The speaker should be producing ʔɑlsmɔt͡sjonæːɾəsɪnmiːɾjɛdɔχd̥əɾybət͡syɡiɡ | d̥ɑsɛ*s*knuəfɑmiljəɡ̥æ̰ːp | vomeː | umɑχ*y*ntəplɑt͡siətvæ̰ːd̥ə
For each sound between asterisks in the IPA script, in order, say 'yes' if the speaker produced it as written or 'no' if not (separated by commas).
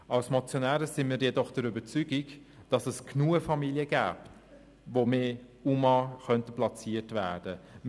yes, no